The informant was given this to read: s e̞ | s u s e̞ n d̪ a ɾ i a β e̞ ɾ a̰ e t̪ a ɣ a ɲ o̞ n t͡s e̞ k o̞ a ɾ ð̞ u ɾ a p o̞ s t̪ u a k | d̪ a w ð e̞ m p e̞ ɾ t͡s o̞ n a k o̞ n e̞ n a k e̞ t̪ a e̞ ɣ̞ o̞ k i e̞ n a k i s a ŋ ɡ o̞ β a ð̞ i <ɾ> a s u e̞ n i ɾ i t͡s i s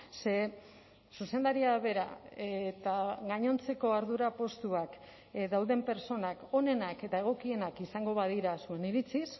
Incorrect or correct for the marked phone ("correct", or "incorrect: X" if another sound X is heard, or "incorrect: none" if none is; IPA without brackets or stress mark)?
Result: correct